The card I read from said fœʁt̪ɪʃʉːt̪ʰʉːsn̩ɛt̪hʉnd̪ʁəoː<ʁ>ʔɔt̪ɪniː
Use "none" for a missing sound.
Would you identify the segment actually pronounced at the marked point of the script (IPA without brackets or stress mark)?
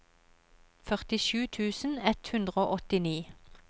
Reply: none